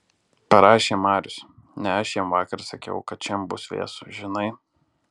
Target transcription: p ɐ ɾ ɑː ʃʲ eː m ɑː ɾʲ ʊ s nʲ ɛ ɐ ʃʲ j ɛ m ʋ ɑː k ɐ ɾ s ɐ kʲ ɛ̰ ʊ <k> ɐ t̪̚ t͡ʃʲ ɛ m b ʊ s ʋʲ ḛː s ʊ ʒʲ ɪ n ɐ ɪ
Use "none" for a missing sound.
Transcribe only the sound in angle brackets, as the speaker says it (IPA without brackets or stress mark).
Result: k